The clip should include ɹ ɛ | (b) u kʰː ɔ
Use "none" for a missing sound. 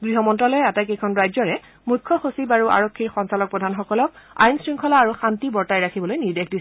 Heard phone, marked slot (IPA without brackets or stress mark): m